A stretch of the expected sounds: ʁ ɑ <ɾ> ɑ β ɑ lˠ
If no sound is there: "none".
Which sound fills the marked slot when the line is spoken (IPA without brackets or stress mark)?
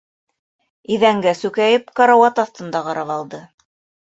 ɾ